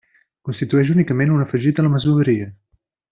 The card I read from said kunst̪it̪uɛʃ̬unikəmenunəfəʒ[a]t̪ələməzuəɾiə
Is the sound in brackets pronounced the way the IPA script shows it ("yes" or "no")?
no